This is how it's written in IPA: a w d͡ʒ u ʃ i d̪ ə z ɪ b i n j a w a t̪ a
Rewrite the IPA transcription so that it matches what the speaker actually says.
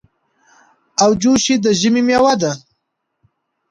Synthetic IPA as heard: a w d͡ʒ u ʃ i d̪ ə ʒ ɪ m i m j a w a d̪ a